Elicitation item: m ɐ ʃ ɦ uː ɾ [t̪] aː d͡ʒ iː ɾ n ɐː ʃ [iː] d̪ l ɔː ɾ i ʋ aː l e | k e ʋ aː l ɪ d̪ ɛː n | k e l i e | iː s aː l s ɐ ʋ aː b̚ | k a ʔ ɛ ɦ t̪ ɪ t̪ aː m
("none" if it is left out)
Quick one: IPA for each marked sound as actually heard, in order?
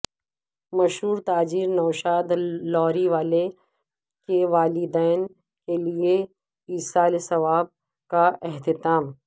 t̪, aː

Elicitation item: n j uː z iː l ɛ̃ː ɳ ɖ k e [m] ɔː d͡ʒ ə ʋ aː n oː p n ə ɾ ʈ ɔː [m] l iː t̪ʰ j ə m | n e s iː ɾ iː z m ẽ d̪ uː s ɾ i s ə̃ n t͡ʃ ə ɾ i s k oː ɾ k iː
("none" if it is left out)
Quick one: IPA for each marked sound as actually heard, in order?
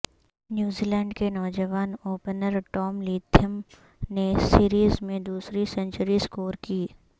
n, m

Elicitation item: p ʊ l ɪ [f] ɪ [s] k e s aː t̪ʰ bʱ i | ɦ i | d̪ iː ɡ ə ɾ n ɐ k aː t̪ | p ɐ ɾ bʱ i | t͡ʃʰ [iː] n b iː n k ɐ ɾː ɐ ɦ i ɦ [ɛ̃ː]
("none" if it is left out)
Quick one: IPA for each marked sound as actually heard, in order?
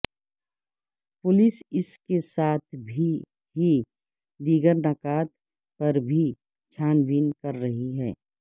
s, s, aː, ɛː

